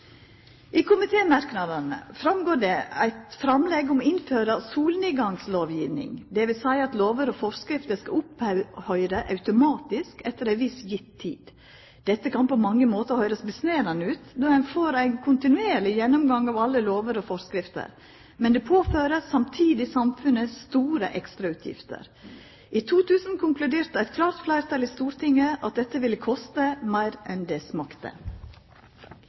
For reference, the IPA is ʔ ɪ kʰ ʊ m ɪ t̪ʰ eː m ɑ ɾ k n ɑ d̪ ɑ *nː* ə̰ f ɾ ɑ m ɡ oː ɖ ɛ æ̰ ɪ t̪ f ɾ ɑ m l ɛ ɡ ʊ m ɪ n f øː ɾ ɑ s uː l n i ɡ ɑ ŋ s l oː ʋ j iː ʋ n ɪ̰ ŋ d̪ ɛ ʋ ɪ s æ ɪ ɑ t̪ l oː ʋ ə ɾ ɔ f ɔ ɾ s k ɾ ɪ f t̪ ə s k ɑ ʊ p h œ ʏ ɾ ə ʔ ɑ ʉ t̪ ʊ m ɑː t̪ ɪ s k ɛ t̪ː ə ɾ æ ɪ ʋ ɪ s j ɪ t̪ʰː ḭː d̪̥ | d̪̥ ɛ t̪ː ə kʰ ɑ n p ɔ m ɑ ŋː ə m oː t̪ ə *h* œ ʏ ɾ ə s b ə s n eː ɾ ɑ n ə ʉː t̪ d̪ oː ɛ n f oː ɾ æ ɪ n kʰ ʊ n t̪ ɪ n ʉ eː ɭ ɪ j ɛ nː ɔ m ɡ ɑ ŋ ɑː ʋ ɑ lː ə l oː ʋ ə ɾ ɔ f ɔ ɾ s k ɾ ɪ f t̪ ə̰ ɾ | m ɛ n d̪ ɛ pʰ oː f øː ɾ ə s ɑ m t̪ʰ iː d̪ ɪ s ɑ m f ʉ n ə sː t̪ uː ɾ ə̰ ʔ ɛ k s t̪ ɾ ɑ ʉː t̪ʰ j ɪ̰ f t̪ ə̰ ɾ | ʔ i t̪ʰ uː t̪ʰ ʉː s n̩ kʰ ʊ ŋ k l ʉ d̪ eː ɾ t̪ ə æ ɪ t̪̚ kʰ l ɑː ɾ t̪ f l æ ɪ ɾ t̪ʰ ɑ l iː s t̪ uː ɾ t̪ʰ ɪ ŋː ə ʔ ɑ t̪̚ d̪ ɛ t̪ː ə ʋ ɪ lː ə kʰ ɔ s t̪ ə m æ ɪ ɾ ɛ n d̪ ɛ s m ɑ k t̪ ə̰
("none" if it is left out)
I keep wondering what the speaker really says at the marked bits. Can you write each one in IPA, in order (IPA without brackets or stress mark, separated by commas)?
n, h